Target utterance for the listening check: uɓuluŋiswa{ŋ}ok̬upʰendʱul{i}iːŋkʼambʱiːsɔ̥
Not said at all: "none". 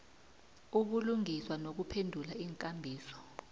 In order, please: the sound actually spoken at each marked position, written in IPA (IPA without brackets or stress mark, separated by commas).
n, a